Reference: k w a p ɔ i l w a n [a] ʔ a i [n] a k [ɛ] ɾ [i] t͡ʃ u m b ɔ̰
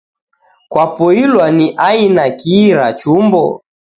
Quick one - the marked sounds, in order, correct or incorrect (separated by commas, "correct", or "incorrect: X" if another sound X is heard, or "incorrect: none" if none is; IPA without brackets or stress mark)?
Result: incorrect: i, correct, incorrect: i, incorrect: a